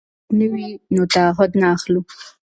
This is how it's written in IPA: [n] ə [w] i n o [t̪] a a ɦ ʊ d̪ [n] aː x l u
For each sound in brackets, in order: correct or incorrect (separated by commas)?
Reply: correct, correct, correct, correct